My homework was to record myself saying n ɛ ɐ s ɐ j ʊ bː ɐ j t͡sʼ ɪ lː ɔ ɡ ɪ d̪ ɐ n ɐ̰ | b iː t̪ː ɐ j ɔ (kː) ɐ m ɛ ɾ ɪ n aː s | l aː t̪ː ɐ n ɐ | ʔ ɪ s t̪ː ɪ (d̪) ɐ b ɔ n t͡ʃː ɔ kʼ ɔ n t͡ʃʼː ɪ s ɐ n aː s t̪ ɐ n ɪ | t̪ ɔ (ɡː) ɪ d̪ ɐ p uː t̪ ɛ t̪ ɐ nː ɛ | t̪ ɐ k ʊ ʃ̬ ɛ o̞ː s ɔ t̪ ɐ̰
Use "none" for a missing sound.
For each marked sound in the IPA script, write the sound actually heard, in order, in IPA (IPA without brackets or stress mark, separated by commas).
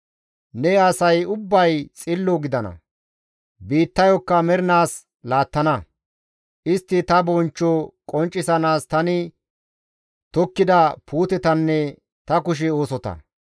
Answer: kː, t̪, kː